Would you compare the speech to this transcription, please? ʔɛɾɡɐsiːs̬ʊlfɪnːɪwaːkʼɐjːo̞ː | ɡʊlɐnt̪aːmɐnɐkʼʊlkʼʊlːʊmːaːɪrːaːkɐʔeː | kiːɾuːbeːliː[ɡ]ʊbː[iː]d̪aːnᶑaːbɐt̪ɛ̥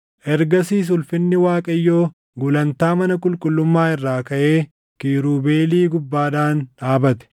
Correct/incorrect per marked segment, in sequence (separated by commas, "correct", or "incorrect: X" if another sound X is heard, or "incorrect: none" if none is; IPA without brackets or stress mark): correct, incorrect: aː